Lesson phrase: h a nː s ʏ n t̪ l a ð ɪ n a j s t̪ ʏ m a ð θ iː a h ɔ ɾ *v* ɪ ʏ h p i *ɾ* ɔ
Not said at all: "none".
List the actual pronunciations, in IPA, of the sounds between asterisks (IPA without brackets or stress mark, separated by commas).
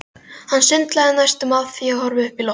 v, l